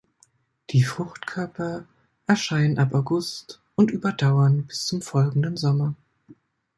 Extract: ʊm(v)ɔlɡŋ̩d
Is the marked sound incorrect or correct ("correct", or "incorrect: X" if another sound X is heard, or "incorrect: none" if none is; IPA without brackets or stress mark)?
incorrect: f